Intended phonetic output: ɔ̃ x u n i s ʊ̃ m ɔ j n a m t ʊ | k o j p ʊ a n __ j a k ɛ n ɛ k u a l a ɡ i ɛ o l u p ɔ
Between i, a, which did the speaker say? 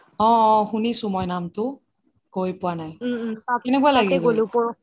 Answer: a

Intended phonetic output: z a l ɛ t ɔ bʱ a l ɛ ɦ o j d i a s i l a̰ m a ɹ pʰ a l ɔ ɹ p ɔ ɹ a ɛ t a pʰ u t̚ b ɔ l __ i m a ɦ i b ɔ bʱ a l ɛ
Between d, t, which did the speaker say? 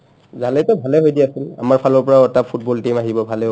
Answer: t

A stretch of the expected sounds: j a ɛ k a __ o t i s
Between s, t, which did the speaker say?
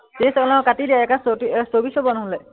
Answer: s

